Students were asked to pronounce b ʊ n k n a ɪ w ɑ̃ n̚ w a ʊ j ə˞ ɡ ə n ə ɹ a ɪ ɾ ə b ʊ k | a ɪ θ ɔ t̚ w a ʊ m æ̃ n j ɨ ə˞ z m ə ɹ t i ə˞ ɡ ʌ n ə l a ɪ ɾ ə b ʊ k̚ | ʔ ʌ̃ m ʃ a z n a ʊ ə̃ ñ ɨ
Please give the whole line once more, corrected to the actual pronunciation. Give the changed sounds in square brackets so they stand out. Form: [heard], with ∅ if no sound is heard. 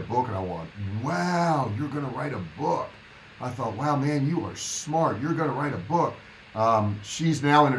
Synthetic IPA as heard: b ʊ [∅] k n a ɪ w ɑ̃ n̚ w a ʊ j ə˞ ɡ [ʌ] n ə ɹ a ɪ ɾ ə b ʊ k | a ɪ θ ɔ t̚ w a ʊ m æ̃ n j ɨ ə˞ [s] m [ɑ] ɹ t [j] ə˞ ɡ ʌ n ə [ɹ] a ɪ ɾ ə b ʊ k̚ | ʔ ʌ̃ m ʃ [i] z n a ʊ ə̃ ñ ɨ